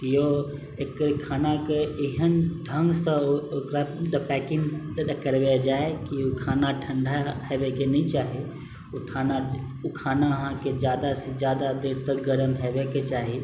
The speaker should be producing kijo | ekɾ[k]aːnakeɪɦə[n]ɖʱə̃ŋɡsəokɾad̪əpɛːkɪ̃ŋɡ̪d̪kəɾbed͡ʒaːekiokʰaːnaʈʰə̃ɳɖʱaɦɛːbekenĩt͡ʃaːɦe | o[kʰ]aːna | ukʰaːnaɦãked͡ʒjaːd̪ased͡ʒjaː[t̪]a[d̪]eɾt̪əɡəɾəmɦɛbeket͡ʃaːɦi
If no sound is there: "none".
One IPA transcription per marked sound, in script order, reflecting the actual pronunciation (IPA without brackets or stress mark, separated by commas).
kʰ, n, ʈʰ, d̪, d̪